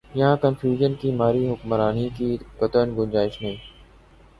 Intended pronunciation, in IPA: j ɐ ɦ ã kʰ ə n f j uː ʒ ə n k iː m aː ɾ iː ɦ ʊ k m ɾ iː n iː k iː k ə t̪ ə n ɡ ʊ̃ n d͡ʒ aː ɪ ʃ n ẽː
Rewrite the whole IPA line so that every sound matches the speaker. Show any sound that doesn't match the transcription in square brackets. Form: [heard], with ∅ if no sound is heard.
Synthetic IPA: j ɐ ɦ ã [k] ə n f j uː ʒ ə n k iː m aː ɾ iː ɦ ʊ k m ɾ [aː] n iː k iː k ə t̪ ə n ɡ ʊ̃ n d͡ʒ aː ɪ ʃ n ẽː